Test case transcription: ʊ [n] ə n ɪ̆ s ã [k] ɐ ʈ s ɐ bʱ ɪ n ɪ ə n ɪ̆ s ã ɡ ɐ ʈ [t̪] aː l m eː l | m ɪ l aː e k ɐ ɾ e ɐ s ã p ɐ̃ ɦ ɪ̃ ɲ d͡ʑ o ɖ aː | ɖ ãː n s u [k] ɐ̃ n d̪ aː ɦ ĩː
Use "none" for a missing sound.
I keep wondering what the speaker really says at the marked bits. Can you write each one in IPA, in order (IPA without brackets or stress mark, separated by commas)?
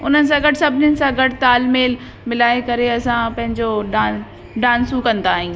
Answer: n, ɡ, t̪, k